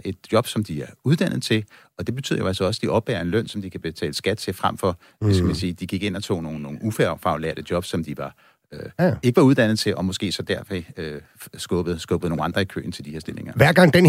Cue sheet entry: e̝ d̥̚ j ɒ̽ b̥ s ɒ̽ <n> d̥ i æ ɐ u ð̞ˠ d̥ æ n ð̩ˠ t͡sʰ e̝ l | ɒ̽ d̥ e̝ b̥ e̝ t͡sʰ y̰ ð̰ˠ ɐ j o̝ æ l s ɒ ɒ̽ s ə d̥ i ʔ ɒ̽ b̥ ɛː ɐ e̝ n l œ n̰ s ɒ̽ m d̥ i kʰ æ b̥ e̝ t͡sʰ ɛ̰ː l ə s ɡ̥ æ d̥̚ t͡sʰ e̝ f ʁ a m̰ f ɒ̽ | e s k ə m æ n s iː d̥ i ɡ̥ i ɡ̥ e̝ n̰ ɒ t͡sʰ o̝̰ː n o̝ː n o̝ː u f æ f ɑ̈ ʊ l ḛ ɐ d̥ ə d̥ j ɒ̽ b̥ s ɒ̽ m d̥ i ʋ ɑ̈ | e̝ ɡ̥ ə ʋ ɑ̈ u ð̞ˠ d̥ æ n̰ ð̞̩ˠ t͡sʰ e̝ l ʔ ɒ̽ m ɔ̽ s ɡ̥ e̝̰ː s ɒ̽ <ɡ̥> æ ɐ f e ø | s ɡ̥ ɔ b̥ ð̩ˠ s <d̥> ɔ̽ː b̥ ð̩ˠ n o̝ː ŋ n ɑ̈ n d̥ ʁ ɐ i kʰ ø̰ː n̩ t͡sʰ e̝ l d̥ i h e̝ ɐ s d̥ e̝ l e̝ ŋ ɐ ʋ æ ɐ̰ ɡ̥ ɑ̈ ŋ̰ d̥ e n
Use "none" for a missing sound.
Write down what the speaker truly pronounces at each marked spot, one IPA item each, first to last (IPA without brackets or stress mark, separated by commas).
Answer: m, d̥, ɡ̥